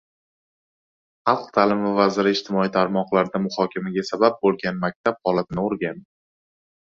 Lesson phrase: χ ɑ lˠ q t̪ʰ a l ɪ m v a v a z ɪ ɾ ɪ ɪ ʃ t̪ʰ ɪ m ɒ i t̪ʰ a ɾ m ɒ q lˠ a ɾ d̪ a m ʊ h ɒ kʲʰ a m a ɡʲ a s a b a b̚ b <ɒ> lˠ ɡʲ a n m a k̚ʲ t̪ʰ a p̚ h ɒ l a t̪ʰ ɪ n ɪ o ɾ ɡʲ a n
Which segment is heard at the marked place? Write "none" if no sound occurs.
o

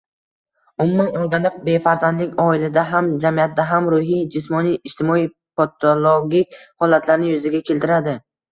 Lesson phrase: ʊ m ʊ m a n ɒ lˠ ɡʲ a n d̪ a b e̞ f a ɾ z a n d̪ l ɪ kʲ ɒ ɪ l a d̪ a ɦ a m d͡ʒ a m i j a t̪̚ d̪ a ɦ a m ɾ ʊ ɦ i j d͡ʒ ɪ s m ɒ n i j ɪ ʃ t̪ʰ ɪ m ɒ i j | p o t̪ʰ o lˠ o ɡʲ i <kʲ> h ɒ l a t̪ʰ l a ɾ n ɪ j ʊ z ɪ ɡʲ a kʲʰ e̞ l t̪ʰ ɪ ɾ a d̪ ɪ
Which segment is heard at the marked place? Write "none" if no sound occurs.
kʲ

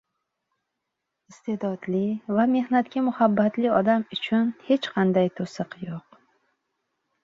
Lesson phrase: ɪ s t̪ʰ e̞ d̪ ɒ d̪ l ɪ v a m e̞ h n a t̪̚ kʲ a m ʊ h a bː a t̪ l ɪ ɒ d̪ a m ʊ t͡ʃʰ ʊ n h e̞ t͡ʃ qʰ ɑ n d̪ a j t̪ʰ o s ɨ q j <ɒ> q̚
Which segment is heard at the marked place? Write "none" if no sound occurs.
o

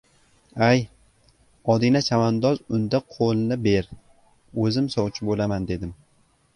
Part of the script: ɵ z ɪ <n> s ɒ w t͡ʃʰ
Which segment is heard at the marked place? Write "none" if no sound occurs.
m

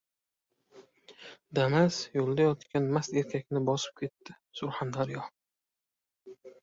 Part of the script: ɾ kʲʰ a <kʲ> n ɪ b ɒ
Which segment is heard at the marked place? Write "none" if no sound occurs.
kʲ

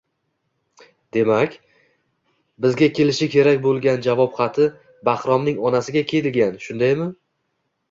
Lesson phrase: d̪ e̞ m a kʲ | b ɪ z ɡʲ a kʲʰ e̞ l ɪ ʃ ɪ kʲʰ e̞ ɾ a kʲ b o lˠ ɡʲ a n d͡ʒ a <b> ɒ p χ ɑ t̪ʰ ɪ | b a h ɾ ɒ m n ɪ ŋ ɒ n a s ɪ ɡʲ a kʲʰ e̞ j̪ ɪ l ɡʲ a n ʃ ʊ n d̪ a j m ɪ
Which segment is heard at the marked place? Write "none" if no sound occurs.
v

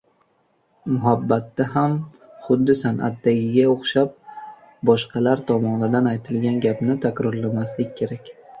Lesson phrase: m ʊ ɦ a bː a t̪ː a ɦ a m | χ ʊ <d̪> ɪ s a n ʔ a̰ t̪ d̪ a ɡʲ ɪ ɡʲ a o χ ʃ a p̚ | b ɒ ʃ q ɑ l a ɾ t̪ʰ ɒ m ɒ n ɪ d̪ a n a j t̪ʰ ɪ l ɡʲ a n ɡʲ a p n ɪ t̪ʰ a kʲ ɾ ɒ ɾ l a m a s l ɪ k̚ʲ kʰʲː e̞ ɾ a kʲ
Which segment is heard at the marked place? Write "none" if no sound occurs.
d̪ː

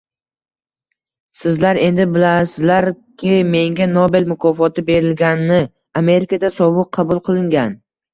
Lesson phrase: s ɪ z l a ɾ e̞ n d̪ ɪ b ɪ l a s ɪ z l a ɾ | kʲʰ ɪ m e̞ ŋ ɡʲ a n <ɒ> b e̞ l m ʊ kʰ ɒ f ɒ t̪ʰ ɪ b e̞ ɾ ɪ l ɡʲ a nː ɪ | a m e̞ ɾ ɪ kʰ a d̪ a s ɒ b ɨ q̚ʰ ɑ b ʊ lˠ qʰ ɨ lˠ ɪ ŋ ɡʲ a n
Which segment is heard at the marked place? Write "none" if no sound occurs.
o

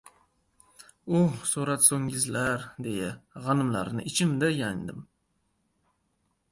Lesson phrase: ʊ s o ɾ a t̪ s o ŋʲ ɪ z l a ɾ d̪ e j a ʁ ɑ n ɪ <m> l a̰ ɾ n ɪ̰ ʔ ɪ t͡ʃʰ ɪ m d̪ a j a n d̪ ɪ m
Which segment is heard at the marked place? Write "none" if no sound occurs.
m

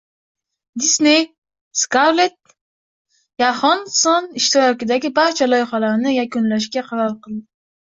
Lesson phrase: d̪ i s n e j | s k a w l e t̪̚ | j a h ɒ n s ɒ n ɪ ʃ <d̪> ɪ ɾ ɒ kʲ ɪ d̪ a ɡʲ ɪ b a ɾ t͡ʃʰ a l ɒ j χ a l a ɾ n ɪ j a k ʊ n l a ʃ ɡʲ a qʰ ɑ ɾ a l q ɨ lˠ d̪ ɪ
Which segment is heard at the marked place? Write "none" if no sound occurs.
t̪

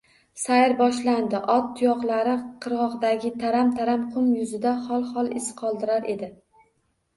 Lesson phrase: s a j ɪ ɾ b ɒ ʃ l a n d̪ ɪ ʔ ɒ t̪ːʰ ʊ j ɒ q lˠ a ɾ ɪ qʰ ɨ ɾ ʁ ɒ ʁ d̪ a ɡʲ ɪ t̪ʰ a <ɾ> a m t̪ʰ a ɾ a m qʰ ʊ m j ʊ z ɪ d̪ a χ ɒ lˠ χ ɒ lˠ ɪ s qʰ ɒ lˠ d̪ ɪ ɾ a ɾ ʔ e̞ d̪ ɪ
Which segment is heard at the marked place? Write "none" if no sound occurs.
ɾ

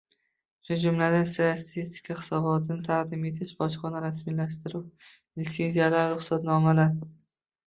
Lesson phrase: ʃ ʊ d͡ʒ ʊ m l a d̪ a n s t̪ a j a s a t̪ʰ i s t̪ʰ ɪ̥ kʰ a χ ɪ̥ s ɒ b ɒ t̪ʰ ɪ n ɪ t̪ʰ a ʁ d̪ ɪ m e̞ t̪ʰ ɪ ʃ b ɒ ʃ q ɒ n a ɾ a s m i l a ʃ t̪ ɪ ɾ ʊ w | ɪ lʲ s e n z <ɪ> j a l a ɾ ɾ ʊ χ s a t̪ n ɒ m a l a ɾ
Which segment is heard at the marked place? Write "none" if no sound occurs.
i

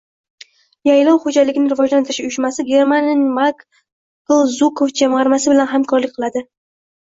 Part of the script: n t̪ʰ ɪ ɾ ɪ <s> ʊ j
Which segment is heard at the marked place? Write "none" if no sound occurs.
ʃ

